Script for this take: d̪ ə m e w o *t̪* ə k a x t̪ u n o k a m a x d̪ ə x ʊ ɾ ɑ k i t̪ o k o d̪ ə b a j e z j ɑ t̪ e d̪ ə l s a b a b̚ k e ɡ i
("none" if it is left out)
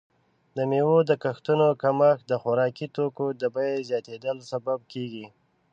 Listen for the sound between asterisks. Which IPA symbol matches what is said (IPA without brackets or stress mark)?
d̪